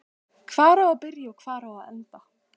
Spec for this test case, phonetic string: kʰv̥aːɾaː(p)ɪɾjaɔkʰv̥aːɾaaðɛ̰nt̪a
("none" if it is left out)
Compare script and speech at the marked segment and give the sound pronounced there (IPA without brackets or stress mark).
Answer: p